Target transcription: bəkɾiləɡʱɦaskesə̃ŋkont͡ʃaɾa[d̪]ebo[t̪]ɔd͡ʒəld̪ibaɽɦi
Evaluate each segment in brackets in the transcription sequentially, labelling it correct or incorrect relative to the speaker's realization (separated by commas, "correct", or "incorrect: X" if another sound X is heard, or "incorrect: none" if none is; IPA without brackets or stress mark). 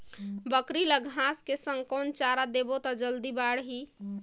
correct, correct